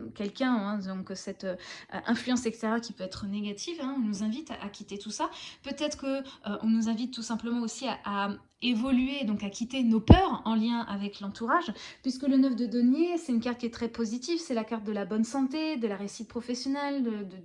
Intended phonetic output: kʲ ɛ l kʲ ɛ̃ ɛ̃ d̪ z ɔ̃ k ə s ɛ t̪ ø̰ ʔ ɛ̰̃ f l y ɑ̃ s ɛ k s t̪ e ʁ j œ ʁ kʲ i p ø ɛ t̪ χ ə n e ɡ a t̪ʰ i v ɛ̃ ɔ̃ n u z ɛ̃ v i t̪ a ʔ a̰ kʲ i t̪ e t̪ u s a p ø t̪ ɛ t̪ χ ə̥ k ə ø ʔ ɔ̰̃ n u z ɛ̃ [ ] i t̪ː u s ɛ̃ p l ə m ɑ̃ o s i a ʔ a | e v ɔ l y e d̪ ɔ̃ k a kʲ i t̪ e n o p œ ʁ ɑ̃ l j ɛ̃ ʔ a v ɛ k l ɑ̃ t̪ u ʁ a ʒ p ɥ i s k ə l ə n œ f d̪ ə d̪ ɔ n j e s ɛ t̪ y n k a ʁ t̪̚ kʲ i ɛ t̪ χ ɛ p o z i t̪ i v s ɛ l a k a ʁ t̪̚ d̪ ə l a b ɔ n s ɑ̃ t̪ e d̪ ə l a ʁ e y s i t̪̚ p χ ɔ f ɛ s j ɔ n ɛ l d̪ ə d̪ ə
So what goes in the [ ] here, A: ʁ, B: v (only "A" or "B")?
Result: B